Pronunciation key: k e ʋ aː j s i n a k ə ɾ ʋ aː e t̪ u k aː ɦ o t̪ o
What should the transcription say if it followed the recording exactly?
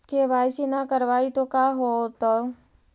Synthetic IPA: k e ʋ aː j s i n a k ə ɾ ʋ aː i t̪ o k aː ɦ o t̪ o